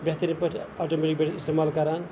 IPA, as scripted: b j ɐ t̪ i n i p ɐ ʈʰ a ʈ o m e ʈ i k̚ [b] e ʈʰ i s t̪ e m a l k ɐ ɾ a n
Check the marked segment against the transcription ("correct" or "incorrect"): correct